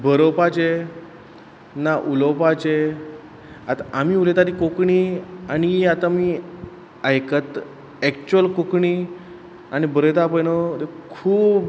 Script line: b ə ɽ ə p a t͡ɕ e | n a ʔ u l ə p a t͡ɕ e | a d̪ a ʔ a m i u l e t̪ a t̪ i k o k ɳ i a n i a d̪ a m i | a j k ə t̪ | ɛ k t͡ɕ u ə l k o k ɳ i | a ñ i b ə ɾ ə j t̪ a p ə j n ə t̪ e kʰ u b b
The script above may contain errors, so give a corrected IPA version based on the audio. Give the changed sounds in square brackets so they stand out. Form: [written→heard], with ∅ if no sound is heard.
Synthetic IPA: b ə [ɽ→ɾ] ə p a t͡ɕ e | n a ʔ u l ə p a t͡ɕ e | a [d̪→t̪] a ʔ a m i u l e t̪ a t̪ i k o k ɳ i a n i a [d̪→t̪] a m i | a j k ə t̪ | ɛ k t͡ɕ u ə l k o k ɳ i | a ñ i b ə ɾ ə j t̪ a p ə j n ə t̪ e kʰ [u→uː] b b